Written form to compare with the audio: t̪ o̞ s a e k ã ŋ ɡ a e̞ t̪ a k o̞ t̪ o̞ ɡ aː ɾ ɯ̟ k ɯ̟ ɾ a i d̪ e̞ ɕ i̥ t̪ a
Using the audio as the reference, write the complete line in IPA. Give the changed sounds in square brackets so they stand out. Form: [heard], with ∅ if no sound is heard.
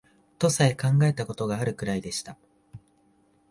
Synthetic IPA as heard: t̪ o̞ s a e k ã ŋ ɡ a e̞ t̪ a k o̞ t̪ o̞ ɡ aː ɾ ɯ̟ k ɯ̟ ɾ a i d̪ e̞ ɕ i̥ t̪ a